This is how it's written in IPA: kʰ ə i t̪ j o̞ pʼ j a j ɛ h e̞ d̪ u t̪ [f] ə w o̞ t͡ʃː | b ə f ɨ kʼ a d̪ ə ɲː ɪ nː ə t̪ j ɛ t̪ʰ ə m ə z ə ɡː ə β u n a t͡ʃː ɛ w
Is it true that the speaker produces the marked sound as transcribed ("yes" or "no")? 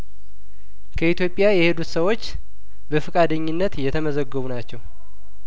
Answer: no